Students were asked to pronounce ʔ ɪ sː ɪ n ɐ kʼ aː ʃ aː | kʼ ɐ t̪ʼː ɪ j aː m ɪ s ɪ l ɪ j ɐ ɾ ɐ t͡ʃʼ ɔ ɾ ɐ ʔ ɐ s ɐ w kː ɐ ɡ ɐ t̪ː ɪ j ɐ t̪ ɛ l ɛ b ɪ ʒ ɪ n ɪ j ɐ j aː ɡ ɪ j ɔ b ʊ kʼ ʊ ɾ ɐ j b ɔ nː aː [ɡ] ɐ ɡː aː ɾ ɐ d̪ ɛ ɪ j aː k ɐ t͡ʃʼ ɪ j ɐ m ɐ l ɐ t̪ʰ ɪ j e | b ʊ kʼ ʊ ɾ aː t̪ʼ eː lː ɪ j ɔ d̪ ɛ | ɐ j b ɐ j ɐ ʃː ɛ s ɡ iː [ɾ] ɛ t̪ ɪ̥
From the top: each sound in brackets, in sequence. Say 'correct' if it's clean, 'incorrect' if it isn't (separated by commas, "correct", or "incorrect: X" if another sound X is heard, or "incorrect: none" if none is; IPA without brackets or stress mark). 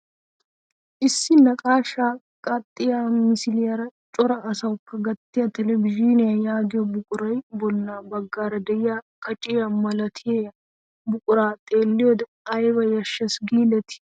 incorrect: b, incorrect: l